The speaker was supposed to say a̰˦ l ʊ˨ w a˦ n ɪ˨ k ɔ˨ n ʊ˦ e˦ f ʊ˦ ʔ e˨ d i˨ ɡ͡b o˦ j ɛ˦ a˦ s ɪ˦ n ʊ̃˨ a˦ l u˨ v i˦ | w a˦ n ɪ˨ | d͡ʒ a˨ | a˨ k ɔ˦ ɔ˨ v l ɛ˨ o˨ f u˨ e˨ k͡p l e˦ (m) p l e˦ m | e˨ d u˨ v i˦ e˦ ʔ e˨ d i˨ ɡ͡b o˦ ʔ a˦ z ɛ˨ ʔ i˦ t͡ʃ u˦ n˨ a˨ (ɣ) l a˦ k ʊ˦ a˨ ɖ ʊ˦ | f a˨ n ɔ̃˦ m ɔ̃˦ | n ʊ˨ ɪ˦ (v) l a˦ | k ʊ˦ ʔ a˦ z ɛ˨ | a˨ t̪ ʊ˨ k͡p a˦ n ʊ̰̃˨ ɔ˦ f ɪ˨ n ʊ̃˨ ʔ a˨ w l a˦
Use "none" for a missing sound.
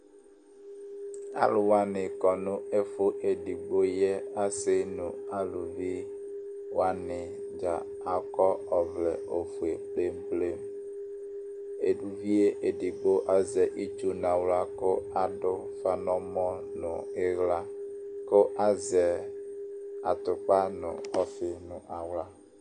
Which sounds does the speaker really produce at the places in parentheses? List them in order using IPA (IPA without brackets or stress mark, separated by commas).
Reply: m, w, ɣ